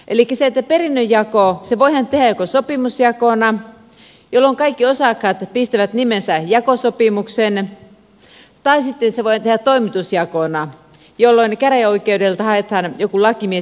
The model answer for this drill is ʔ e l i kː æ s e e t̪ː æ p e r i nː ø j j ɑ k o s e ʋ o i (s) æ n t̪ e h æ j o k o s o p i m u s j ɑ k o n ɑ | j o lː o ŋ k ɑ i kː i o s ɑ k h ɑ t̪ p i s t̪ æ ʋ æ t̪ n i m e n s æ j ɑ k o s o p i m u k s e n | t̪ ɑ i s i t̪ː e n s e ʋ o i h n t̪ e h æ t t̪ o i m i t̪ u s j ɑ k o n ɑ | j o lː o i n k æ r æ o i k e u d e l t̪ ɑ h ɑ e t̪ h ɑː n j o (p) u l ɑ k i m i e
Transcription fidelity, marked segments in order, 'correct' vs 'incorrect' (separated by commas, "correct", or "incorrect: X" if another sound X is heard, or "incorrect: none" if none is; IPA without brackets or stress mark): incorrect: h, incorrect: k